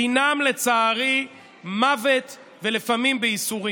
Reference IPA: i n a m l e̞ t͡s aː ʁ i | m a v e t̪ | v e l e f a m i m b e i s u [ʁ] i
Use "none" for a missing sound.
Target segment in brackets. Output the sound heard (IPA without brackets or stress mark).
ʁ